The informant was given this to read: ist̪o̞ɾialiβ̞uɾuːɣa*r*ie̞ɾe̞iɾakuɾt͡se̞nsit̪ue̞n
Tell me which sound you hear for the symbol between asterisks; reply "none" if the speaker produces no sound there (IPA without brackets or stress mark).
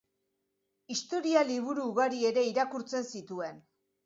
ɾ